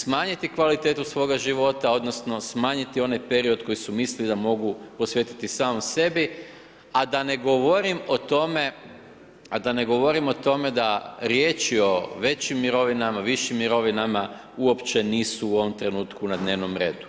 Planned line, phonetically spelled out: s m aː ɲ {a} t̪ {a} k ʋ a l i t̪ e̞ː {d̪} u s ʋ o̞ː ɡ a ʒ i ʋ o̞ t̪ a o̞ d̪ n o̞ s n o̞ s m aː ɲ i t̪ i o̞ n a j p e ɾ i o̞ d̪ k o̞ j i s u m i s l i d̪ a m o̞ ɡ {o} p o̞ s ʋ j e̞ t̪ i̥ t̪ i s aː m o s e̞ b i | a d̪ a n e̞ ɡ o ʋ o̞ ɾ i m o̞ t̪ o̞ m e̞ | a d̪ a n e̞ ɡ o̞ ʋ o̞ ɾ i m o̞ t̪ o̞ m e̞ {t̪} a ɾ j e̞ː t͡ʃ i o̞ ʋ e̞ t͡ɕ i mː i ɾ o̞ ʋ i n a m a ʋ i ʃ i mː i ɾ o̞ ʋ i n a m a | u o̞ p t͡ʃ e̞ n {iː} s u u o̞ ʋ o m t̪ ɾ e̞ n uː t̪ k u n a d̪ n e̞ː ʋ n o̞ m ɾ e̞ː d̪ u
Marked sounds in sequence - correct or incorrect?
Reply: incorrect, incorrect, incorrect, incorrect, incorrect, correct

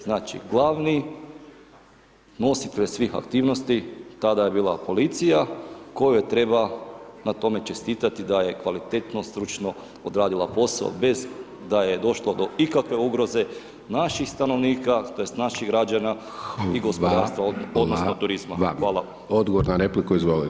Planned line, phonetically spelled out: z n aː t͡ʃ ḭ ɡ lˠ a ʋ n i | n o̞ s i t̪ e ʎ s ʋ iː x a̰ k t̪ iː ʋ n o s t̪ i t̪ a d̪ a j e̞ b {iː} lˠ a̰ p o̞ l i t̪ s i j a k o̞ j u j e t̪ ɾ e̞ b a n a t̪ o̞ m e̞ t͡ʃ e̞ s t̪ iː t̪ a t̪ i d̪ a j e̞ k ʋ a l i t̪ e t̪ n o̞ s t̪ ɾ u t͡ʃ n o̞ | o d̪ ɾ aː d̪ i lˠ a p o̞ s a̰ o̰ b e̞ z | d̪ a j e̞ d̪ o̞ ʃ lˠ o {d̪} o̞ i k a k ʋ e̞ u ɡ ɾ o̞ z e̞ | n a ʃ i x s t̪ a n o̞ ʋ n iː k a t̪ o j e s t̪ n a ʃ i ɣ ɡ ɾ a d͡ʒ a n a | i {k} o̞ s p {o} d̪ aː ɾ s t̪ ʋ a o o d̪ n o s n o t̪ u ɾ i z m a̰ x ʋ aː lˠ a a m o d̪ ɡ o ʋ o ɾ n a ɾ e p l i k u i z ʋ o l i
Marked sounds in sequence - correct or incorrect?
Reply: correct, correct, incorrect, correct

